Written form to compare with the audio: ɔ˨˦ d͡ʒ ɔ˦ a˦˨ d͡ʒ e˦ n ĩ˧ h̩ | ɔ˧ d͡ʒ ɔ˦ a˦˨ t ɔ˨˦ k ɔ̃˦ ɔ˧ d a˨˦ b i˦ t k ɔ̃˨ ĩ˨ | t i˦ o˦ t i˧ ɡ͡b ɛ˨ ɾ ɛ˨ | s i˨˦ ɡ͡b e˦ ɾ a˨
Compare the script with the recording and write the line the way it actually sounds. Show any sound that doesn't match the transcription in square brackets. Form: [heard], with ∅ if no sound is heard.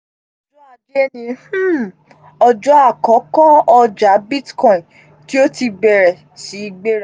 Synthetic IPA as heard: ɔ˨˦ d͡ʒ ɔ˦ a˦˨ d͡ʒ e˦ n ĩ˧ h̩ | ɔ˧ d͡ʒ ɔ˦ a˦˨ [k] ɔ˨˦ k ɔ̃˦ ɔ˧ [d͡ʒ] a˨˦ b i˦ t k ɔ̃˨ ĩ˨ | t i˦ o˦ t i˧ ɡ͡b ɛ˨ ɾ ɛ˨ | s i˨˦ ɡ͡b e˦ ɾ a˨